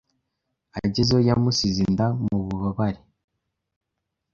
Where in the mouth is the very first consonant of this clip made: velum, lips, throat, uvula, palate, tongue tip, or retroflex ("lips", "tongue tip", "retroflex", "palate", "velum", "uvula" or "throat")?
palate